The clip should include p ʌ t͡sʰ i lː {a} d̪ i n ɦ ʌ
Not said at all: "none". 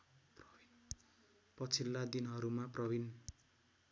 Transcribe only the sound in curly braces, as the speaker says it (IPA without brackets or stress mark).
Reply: a